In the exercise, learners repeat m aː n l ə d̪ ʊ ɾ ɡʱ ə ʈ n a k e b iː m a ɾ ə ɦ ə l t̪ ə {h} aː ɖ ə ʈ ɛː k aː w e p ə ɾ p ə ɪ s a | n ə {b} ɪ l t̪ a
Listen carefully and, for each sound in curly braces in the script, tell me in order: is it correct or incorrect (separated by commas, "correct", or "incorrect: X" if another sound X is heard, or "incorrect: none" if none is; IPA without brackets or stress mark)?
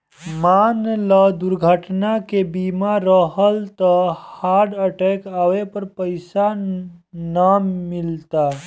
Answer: correct, incorrect: m